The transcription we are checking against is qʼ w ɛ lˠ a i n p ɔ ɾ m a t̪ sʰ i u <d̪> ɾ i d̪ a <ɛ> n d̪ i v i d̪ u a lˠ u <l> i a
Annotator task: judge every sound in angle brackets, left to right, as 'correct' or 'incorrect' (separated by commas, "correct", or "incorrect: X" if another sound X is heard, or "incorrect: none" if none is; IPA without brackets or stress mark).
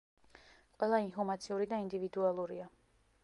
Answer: incorrect: none, incorrect: i, incorrect: ɾ